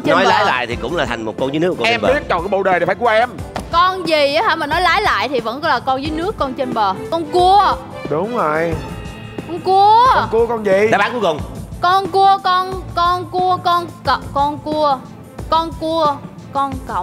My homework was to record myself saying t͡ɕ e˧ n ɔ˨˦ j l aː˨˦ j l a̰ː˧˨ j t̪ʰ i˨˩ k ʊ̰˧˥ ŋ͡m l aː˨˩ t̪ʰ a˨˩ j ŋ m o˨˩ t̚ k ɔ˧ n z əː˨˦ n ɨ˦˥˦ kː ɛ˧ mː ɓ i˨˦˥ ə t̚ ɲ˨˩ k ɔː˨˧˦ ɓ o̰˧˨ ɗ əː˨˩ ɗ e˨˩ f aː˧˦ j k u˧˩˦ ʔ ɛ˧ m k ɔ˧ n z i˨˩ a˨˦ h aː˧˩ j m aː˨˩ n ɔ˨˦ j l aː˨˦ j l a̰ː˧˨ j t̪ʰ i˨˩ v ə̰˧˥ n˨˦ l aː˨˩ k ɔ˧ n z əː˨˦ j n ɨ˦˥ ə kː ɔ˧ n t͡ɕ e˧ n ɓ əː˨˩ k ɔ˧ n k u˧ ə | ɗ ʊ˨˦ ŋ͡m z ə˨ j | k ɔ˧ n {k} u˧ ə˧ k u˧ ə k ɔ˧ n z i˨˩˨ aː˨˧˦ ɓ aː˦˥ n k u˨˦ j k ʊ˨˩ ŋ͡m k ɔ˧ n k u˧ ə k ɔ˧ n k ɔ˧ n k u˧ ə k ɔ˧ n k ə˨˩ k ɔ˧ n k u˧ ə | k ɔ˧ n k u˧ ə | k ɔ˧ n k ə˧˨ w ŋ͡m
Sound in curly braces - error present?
no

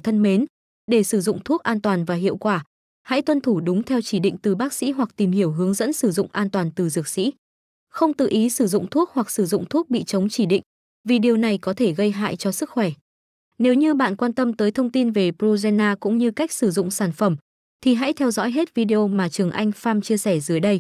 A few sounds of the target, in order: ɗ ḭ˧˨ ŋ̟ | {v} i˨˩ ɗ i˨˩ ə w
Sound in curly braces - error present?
no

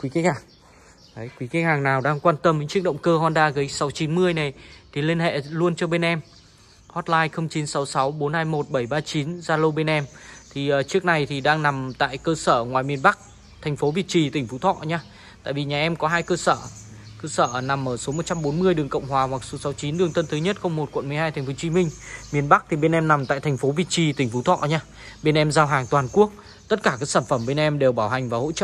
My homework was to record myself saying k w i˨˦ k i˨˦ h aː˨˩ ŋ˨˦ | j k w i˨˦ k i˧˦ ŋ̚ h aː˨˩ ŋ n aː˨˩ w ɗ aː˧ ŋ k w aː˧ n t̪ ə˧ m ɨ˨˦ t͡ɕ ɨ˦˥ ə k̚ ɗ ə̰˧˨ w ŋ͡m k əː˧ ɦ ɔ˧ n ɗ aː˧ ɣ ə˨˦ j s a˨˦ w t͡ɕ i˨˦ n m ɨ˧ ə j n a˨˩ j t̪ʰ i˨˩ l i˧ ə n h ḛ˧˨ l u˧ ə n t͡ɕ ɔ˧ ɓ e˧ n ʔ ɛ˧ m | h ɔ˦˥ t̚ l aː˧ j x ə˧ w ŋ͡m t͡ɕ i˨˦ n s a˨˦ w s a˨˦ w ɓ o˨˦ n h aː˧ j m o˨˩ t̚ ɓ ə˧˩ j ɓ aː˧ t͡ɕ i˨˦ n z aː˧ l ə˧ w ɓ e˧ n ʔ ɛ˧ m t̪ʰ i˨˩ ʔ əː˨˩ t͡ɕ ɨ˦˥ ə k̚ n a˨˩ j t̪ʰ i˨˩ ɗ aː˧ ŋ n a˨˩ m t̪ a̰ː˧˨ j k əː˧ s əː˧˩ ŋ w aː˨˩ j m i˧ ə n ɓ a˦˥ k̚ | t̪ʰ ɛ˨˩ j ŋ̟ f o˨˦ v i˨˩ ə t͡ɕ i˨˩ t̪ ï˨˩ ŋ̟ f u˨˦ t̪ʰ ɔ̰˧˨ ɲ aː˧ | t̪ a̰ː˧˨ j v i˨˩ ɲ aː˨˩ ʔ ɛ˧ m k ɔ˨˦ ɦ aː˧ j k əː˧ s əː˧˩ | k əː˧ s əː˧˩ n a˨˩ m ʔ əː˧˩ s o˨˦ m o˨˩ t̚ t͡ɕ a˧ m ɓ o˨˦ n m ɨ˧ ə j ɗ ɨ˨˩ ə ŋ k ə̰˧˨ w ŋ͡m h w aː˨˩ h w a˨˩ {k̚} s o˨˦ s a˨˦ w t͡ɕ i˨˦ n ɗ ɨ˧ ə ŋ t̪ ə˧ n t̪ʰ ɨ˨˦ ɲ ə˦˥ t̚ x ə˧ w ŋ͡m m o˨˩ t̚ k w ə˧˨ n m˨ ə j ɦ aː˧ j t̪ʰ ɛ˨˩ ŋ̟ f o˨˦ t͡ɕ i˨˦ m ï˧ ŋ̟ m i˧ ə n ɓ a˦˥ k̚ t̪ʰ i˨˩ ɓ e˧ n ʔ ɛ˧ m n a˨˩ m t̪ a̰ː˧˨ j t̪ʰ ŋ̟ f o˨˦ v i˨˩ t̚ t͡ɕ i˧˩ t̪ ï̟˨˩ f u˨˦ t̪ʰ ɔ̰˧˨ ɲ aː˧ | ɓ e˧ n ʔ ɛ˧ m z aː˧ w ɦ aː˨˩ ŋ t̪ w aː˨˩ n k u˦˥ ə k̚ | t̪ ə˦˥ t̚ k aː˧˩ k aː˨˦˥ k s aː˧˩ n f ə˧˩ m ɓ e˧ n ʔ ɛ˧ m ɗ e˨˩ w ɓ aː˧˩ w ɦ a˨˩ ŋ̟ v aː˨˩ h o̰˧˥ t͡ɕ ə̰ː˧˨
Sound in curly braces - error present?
no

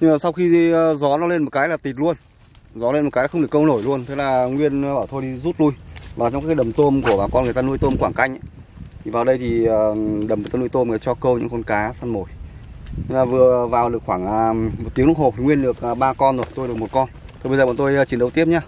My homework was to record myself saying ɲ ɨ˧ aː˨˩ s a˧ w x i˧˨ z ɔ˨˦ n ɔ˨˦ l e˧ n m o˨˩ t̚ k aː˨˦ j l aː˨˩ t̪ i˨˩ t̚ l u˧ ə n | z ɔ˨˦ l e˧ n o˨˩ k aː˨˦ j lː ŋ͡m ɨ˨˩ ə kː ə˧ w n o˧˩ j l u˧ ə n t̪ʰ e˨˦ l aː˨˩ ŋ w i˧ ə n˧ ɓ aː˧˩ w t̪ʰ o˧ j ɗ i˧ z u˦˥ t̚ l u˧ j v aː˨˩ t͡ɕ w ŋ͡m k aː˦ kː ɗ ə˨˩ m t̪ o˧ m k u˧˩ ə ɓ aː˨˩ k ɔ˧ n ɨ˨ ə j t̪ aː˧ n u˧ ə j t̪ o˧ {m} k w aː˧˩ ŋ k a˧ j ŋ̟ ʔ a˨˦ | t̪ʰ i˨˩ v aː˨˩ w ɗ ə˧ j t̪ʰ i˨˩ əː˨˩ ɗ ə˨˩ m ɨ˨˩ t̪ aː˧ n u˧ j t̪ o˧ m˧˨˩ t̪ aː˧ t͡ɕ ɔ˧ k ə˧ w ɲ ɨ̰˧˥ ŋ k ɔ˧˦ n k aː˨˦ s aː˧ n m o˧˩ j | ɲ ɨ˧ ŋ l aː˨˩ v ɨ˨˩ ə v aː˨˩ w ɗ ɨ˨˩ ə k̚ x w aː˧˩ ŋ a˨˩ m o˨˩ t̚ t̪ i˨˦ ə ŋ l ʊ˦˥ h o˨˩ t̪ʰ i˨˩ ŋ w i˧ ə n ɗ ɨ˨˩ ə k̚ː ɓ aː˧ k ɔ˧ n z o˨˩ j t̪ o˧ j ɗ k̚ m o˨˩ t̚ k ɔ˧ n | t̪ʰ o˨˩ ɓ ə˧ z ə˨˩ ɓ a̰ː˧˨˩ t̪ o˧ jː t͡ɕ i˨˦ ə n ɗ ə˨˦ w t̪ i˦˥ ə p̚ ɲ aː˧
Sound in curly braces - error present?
no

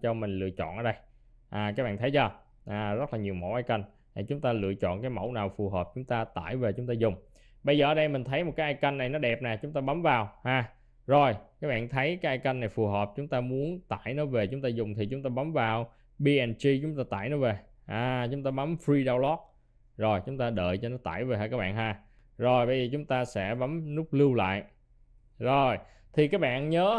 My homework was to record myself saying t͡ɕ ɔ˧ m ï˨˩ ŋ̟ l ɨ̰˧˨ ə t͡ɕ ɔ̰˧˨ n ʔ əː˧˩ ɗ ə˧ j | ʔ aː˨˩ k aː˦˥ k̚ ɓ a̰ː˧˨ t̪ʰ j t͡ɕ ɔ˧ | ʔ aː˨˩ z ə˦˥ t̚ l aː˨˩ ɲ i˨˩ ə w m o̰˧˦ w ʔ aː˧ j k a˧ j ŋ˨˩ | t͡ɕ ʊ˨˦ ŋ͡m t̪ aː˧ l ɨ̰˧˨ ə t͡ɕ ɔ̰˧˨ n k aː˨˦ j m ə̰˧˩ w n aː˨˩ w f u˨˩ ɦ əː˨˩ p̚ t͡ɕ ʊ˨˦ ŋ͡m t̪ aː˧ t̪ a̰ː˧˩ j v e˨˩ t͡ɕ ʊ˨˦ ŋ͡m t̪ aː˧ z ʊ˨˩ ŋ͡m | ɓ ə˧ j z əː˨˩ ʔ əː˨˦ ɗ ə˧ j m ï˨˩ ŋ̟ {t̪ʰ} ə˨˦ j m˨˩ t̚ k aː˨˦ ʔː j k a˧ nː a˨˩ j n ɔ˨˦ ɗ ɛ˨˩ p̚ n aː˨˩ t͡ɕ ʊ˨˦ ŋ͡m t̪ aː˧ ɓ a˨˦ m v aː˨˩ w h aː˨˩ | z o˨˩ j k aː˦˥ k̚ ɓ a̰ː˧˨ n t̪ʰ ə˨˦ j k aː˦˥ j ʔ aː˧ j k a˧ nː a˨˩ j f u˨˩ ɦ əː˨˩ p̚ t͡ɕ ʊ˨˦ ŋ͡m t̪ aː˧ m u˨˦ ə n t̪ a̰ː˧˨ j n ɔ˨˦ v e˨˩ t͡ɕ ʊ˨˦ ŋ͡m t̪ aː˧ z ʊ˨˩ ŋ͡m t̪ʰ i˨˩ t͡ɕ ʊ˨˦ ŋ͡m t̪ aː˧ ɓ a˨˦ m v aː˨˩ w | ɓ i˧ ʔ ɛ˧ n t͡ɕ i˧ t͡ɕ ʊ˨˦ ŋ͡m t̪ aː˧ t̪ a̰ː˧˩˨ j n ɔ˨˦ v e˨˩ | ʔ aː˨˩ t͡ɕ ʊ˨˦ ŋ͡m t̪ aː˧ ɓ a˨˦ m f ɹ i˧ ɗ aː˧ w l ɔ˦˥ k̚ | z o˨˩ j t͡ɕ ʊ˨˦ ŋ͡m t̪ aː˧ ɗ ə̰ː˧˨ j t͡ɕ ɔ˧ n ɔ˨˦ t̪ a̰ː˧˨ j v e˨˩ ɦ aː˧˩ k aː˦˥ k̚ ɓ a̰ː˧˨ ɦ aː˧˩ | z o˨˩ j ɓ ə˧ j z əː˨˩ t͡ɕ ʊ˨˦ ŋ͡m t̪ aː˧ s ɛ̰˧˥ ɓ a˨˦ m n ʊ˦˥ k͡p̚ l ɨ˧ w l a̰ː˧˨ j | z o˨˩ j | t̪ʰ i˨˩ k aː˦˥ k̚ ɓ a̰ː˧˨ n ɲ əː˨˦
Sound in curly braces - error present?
no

